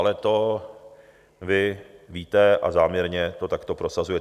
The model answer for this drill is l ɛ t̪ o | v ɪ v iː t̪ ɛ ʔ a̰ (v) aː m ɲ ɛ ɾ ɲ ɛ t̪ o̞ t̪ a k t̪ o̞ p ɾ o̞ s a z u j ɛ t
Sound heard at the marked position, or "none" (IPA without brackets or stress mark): z